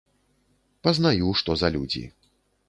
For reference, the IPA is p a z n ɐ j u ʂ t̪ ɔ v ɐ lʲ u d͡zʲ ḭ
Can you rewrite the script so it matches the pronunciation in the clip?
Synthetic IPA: p ɐ z n a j u ʂ t̪ ɔ z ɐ lʲ u d͡zʲ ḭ